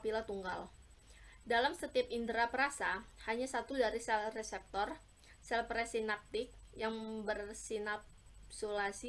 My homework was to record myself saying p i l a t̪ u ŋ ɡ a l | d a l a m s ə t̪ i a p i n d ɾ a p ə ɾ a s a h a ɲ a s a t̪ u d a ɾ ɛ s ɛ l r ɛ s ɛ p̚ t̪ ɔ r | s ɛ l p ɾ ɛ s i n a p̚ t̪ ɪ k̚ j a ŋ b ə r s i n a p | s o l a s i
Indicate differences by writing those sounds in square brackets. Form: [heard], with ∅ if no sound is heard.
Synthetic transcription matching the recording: p i l a t̪ u ŋ ɡ a l | d a l a m s ə t̪ i a p i n d ɾ a p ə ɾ a s a h a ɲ a s a t̪ u d a ɾ [i] s ɛ l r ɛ s ɛ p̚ t̪ ɔ r | s ɛ l p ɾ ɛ s i n a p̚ t̪ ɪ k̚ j a ŋ b ə r s i n a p | s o l a s i